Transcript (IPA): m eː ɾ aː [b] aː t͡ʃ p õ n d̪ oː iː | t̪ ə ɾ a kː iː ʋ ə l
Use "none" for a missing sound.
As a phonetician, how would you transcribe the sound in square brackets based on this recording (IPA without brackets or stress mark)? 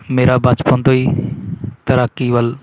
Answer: b